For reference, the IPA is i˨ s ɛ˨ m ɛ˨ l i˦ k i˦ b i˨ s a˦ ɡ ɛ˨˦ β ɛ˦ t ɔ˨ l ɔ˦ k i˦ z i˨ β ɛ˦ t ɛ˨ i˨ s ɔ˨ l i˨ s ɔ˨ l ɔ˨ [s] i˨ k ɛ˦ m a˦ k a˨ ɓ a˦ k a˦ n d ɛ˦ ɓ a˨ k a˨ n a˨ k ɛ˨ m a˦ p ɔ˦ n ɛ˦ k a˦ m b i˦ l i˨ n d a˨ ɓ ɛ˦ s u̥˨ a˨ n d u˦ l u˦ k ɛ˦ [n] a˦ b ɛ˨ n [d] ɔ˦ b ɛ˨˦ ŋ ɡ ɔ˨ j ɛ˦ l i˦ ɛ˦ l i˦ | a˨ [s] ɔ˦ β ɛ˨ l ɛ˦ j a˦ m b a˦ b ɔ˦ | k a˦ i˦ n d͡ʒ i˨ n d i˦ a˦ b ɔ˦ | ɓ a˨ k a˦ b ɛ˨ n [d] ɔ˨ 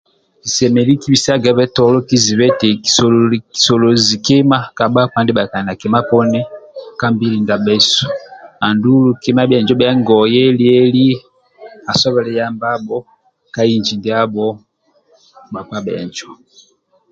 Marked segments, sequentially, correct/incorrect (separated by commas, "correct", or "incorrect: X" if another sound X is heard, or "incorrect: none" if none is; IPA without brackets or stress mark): incorrect: z, incorrect: m, incorrect: d͡ʒ, correct, incorrect: d͡ʒ